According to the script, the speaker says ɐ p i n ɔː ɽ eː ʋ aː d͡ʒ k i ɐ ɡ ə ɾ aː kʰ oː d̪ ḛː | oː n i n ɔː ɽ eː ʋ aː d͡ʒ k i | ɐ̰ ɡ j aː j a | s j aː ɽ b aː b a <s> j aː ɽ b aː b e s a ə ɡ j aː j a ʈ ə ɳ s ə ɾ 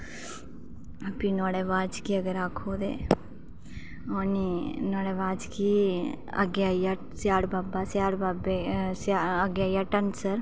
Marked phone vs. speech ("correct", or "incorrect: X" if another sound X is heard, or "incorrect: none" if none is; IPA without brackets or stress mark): correct